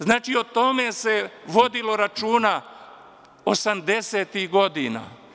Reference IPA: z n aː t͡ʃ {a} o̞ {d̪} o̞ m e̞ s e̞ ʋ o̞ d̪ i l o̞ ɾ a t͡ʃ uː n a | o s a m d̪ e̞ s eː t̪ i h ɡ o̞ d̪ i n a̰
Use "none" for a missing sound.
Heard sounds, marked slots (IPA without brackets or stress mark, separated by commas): i, t̪